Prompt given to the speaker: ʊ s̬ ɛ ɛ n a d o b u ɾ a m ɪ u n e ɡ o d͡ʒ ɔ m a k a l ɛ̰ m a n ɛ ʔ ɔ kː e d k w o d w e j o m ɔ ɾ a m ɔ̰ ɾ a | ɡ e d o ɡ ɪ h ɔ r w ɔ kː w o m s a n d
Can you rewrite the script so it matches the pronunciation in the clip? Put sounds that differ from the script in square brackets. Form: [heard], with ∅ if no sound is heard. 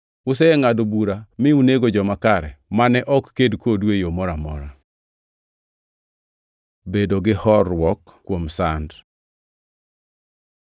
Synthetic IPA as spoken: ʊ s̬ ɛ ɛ [ŋ] a d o b u ɾ a m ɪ u n e ɡ o d͡ʒ ɔ m a k a [ɾ] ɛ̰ m a n ɛ ʔ ɔ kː e d k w o d w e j o m ɔ ɾ a m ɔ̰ ɾ a | [b] e d o ɡ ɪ h ɔ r w ɔ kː w o m s a n d